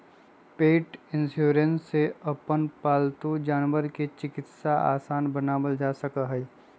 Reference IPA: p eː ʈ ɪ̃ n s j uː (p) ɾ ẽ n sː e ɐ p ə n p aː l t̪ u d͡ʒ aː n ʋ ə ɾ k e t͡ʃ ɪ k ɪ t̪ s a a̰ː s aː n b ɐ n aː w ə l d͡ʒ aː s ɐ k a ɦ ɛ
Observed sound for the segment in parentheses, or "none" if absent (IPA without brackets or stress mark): none